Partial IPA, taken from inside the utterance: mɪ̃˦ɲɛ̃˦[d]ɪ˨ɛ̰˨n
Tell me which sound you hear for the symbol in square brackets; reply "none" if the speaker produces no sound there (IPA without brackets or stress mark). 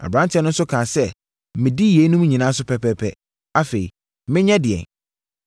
d